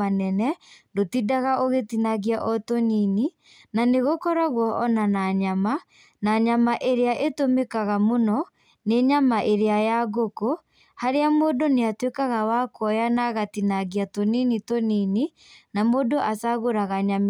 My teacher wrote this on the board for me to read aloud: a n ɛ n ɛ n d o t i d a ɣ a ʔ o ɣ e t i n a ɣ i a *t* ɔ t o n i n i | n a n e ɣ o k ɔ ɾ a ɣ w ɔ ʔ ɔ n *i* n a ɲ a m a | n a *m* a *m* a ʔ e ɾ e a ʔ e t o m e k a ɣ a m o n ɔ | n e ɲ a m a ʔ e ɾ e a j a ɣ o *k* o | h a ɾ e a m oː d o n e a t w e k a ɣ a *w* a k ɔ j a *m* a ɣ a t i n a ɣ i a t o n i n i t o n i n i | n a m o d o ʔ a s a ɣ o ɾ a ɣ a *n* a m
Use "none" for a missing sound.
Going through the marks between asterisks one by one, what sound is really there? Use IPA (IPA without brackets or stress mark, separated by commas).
ʔ, a, ɲ, m, k, w, n, ɲ